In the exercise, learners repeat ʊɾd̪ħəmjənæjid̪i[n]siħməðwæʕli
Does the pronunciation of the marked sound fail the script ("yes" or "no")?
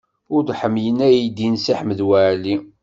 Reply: no